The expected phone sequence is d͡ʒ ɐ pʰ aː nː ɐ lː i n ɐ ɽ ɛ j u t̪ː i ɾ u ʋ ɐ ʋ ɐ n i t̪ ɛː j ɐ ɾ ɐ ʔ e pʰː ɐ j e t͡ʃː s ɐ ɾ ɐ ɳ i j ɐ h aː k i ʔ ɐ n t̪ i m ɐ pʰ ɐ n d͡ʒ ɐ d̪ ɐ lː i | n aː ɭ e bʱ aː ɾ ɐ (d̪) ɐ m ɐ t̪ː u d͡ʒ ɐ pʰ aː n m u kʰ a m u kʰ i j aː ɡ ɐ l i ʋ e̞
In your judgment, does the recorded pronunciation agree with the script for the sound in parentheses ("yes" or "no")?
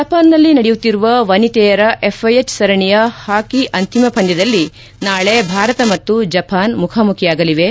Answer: no